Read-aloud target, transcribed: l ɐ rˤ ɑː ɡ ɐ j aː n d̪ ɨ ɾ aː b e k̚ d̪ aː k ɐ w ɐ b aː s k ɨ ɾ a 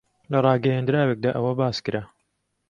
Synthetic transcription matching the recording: l ɐ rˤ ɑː ɡ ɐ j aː n d̪ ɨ ɾ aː w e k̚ d̪ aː ʔ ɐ w ɐ b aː s k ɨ ɾ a

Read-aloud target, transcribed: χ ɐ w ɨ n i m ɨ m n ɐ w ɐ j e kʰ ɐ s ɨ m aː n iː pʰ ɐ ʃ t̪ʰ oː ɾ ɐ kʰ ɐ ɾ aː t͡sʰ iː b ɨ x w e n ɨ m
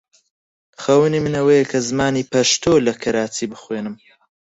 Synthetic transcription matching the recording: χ ɐ w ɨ n i m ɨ n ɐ w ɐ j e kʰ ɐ z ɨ m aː n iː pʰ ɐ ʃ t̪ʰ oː l ɐ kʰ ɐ ɾ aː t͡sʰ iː b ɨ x w e n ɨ m

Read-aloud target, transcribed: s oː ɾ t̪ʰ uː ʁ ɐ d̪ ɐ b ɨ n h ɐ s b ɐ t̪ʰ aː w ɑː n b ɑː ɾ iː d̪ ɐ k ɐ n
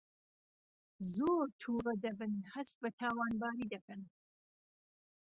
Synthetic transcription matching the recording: z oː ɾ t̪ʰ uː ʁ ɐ d̪ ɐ b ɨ n h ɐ s b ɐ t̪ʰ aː w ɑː n b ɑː ɾ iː d̪ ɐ k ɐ n

